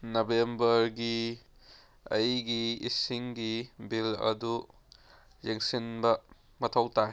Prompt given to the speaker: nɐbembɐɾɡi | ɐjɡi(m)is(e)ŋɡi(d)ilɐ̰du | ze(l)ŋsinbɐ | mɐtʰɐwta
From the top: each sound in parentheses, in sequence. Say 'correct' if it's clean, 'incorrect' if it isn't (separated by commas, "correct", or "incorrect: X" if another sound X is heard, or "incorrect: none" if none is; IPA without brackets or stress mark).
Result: incorrect: none, incorrect: i, incorrect: b, incorrect: none